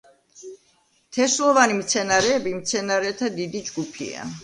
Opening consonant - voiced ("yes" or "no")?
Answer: no